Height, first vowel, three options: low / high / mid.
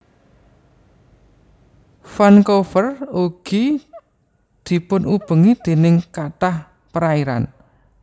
low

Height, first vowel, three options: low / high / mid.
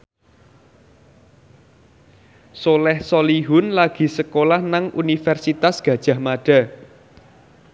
mid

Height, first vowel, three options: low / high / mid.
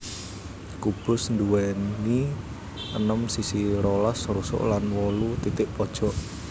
high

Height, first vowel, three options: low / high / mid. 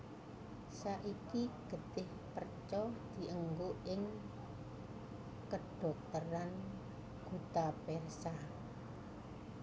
low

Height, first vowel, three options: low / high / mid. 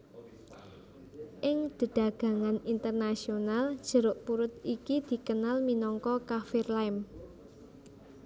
high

